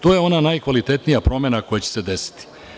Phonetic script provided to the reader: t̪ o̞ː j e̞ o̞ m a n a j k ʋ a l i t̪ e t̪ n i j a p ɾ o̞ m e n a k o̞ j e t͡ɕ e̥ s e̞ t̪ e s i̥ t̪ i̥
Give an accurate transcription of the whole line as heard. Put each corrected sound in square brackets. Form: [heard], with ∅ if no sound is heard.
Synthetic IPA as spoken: t̪ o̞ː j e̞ o̞ [n] a n a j k ʋ a l i t̪ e t̪ n i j a p ɾ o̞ m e n a k o̞ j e t͡ɕ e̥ s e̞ [d̪] e s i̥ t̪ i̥